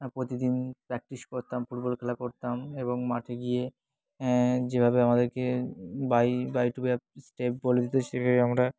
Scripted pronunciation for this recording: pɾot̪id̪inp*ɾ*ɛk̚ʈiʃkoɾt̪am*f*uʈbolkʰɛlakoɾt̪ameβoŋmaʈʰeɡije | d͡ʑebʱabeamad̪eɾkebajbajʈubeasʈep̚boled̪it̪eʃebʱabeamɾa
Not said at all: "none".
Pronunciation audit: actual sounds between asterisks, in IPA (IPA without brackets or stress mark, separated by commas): ɾ, f